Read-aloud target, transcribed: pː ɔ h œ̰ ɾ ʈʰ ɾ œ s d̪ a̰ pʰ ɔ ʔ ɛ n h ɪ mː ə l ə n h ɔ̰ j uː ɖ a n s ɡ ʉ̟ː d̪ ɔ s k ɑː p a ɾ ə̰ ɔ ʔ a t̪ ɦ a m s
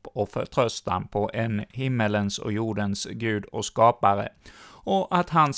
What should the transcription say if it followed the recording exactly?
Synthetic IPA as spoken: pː ɔ f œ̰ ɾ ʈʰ ɾ œ s t̪ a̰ pʰ ɔ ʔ ɛ n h ɪ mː ə l ə n s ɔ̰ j uː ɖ ə n s ɡ ʉ̟ː d̪ ɔ s k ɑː p a ɾ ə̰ ɔ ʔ a t̪ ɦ a n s